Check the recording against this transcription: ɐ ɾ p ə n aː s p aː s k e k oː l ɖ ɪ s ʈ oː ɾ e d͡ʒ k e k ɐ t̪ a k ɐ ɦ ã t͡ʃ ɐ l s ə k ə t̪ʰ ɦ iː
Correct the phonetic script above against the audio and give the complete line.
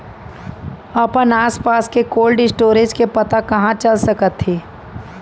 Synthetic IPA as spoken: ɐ p ə n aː s p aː s k e k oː l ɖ ɪ s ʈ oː ɾ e d͡ʒ k e p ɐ t̪ a k ɐ ɦ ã t͡ʃ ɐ l s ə k ə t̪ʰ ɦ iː